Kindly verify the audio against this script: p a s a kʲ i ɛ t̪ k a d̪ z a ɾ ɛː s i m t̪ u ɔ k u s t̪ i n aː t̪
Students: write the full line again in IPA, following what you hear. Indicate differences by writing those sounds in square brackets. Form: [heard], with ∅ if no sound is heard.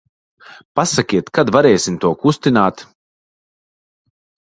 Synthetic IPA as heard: p a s a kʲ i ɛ t̪ k a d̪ [v] a ɾ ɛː s i m t̪ u ɔ k u s t̪ i n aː t̪